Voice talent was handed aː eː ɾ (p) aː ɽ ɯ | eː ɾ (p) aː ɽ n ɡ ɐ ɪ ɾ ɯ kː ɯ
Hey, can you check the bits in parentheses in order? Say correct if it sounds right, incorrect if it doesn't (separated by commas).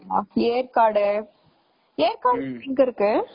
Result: incorrect, incorrect